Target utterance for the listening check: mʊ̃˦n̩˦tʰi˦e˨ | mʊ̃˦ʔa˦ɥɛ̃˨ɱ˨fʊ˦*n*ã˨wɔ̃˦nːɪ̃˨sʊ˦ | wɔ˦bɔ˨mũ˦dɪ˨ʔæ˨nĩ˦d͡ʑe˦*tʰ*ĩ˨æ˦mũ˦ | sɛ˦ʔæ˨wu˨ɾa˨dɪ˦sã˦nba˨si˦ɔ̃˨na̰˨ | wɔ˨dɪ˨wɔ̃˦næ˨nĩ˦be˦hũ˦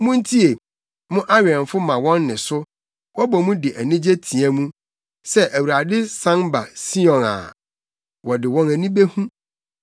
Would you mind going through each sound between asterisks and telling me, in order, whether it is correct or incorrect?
incorrect, correct

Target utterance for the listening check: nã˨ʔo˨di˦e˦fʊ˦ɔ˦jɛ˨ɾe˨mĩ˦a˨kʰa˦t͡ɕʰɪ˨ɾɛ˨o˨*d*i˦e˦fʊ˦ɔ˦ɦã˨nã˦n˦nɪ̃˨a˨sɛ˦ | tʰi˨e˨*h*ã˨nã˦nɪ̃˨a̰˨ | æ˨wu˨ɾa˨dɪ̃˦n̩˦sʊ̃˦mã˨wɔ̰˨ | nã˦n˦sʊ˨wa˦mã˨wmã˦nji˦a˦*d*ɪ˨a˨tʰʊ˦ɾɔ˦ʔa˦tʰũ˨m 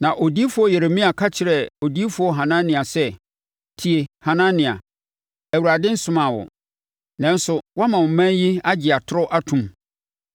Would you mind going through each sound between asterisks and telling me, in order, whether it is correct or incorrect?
correct, correct, incorrect

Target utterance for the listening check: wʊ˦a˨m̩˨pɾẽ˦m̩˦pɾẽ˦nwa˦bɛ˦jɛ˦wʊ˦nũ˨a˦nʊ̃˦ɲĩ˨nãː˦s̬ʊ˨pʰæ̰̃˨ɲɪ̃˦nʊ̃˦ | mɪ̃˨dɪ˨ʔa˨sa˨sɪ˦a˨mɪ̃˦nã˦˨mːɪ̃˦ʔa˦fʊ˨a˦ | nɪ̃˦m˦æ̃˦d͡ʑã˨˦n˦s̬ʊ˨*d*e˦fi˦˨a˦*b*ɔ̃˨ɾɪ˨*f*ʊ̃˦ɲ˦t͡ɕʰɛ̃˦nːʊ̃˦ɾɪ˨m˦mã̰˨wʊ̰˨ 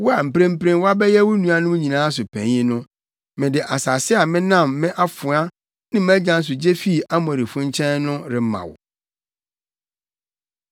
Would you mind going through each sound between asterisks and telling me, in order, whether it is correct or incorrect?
incorrect, incorrect, correct

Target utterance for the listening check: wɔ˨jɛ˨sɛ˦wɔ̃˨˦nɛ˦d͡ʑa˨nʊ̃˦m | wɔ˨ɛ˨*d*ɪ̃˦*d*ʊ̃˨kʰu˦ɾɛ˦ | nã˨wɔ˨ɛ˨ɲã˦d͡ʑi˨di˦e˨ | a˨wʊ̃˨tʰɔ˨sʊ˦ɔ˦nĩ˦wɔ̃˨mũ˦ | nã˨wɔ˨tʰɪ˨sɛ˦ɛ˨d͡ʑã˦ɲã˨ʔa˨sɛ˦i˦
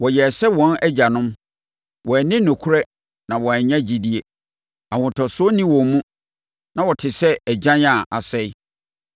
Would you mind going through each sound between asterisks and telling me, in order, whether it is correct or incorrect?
incorrect, incorrect

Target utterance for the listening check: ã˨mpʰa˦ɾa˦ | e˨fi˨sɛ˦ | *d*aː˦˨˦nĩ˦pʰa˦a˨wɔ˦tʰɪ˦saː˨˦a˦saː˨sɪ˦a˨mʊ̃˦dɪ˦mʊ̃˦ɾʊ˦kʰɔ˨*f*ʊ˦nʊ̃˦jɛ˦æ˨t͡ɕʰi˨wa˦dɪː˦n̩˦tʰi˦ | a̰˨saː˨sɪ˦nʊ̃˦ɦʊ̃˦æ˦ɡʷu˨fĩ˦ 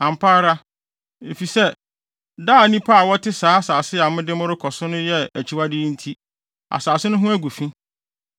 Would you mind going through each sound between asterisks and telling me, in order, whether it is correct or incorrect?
correct, incorrect

